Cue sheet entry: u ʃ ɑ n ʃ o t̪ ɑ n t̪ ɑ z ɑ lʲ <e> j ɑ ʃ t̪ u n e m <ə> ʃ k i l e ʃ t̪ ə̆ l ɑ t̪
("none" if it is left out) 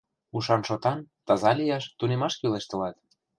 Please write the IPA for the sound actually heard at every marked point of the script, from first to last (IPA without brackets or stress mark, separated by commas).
i, ɑ